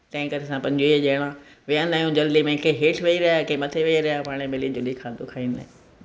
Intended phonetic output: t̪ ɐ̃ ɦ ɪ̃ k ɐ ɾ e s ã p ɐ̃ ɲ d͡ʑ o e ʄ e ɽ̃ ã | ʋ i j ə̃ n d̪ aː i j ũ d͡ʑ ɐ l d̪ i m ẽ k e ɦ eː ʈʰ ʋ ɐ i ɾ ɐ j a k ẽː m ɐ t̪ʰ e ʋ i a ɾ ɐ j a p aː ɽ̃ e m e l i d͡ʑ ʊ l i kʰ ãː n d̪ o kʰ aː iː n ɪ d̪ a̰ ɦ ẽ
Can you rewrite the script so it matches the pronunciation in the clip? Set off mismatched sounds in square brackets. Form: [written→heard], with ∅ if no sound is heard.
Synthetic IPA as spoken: t̪ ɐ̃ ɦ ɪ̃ k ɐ ɾ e s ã p ɐ̃ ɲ d͡ʑ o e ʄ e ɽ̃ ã | ʋ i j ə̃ n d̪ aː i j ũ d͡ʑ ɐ l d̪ i m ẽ k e ɦ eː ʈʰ ʋ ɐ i ɾ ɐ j a k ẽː m ɐ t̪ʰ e ʋ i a ɾ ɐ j a p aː ɽ̃ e m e l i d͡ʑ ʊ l i kʰ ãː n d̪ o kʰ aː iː n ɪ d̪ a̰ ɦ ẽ